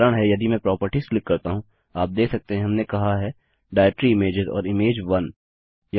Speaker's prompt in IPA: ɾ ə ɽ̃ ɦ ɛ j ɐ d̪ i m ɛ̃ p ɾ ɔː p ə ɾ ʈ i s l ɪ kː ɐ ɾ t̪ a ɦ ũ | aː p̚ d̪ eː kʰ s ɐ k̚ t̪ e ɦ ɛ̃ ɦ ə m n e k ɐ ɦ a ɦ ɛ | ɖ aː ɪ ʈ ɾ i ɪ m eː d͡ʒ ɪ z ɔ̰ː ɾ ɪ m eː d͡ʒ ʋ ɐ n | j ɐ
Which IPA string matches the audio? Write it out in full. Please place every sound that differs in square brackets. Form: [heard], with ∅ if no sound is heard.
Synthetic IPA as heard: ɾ ə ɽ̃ ɦ ɛ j ɐ d̪ i m ɛ̃ p ɾ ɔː p ə ɾ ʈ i s l ɪ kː ɐ ɾ t̪ a ɦ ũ | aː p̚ d̪ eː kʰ s ɐ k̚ t̪ e ɦ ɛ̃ ɦ [ɐ] m n e k ɐ ɦ a ɦ ɛ | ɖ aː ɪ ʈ ɾ i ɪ m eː d͡ʒ ɪ z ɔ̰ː ɾ ɪ m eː d͡ʒ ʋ ɐ n | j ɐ